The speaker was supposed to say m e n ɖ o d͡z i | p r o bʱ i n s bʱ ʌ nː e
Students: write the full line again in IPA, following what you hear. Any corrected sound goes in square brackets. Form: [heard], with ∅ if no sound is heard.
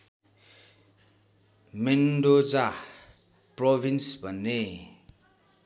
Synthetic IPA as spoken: m e n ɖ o d͡z [a] | p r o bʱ i n s bʱ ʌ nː e